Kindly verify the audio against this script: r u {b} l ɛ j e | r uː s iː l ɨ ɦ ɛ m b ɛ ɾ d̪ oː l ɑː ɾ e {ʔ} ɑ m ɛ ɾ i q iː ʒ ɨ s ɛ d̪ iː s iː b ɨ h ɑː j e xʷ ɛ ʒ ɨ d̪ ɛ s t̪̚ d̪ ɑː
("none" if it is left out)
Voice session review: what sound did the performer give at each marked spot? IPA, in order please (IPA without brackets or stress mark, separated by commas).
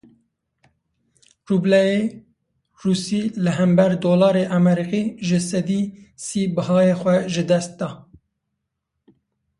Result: b, ʔ